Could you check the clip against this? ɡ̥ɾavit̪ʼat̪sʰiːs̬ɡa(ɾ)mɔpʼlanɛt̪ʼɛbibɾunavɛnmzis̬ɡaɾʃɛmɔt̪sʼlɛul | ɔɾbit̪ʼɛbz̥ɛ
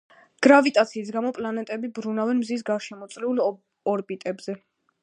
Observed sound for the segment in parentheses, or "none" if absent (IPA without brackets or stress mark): none